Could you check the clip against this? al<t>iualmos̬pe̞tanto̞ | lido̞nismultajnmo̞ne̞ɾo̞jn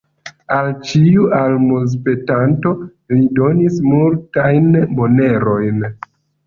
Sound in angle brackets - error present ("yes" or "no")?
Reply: yes